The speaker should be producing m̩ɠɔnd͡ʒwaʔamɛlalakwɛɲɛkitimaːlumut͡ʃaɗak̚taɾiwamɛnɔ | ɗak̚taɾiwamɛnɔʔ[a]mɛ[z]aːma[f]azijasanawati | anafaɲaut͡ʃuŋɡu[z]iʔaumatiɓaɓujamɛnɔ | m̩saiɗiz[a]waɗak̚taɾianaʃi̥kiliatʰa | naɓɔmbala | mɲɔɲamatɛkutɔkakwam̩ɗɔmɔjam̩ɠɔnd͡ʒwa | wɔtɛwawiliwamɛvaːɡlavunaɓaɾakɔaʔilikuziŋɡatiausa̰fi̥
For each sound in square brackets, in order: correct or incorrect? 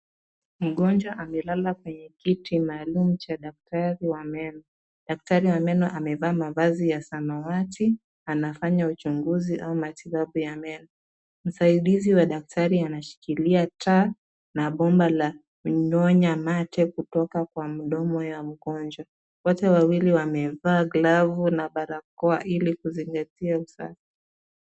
correct, incorrect, incorrect, correct, incorrect

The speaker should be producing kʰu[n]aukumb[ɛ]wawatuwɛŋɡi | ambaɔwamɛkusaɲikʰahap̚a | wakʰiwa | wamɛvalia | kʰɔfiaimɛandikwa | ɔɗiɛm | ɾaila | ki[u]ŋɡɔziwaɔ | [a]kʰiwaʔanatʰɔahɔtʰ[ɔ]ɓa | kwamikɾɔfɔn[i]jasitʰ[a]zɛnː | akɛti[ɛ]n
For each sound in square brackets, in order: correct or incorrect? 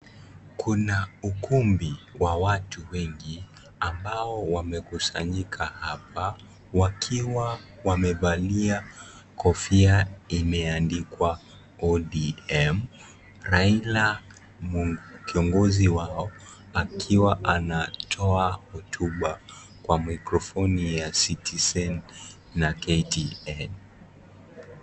correct, incorrect, incorrect, correct, incorrect, correct, incorrect, correct

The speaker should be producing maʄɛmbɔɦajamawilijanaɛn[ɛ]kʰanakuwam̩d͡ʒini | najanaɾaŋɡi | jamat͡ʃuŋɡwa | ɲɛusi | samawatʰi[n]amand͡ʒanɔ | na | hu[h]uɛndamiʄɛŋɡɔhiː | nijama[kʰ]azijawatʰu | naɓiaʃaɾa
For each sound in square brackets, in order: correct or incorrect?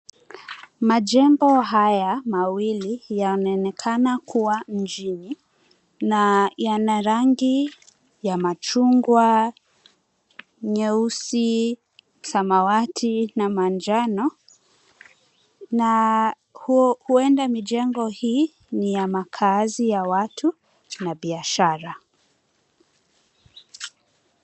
correct, correct, correct, correct

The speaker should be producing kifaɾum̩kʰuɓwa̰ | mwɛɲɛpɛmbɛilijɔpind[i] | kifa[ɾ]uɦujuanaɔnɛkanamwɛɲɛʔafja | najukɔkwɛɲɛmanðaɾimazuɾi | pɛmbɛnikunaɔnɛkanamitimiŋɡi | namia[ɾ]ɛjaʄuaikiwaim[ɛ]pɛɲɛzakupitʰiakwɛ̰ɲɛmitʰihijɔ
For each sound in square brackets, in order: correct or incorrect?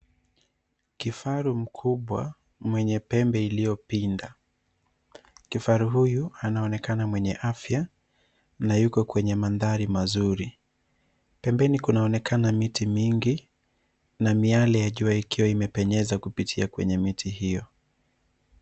incorrect, correct, incorrect, correct

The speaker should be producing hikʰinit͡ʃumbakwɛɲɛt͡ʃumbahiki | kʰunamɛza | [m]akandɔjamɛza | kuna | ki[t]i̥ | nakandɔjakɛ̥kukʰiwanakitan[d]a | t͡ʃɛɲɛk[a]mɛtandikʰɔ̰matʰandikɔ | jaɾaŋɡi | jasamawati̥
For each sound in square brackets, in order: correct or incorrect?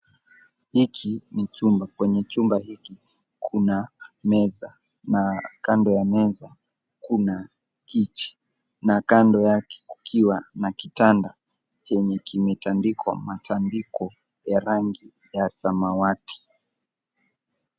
incorrect, incorrect, correct, incorrect

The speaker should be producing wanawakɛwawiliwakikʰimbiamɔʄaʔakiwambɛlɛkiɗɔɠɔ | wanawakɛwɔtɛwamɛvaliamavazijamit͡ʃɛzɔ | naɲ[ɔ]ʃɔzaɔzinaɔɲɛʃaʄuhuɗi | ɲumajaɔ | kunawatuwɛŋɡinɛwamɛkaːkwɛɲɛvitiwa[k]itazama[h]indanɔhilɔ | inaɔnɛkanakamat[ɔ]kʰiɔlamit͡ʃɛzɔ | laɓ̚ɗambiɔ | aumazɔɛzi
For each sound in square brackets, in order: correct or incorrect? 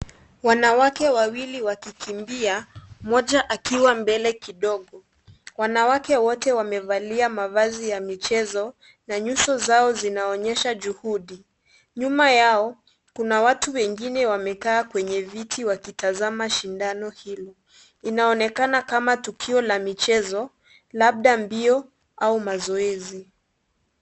incorrect, correct, incorrect, incorrect

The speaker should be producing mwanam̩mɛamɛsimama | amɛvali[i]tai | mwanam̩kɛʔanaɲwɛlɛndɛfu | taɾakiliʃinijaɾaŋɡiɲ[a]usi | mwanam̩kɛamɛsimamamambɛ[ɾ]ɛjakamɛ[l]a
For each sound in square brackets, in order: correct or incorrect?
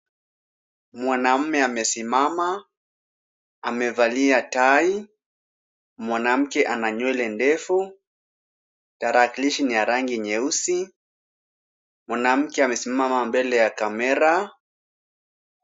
incorrect, incorrect, incorrect, incorrect

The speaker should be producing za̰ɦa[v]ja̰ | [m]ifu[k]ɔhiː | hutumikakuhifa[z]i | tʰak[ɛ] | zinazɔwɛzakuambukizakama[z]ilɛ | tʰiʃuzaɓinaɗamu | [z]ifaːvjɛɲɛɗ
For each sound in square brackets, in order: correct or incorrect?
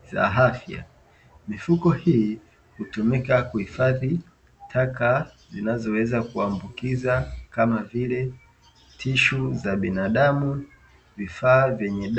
incorrect, correct, correct, incorrect, incorrect, incorrect, incorrect

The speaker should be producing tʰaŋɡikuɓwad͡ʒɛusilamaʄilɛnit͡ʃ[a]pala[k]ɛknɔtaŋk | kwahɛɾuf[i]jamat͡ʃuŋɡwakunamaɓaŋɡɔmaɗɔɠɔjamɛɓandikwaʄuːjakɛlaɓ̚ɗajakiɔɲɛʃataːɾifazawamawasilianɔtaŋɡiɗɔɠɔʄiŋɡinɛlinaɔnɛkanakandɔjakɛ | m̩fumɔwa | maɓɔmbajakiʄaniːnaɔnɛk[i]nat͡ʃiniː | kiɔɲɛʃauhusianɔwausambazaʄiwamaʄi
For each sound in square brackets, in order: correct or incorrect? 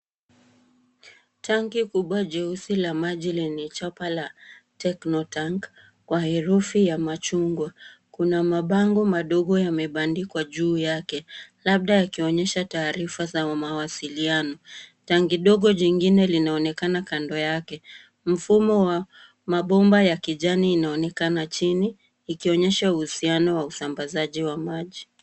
correct, incorrect, correct, incorrect

